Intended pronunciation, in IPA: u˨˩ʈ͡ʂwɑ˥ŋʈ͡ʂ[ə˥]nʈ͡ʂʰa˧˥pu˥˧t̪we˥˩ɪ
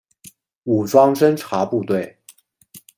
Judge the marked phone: correct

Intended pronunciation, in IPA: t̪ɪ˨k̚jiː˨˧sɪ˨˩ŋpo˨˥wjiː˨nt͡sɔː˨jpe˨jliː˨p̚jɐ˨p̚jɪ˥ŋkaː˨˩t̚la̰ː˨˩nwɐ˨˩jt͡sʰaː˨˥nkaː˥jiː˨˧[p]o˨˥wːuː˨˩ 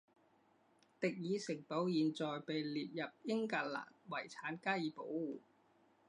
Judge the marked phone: correct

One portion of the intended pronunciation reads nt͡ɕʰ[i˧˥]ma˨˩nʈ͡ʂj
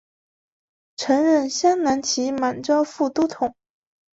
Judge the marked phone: correct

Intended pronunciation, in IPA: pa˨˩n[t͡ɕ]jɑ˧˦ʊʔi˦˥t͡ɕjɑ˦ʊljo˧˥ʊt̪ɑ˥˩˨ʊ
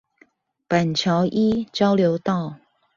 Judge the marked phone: incorrect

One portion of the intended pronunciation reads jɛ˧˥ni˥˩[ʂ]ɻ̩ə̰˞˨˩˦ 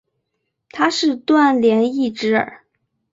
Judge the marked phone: incorrect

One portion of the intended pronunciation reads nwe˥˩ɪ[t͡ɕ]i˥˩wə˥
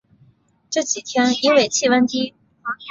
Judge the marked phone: incorrect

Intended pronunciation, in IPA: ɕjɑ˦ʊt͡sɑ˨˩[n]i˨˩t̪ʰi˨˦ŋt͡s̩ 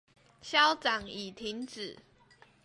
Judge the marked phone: incorrect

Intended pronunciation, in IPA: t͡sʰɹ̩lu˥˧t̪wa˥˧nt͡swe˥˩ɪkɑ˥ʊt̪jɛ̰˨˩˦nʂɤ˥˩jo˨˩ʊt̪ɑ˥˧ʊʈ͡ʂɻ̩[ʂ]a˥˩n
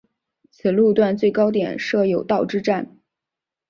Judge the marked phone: incorrect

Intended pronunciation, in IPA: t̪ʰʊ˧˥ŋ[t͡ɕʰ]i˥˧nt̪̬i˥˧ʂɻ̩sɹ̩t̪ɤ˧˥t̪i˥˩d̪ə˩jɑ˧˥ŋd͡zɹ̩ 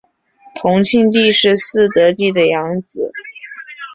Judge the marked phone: correct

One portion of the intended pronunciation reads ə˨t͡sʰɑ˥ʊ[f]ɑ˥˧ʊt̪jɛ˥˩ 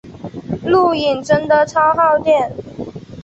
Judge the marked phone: incorrect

